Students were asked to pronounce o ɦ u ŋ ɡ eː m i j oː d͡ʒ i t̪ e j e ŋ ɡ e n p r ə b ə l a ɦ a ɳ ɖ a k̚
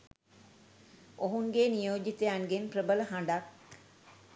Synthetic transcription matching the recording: o ɦ u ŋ ɡ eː n i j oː d͡ʒ i t̪ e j a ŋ ɡ e n p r ə b ə l ə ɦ a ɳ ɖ a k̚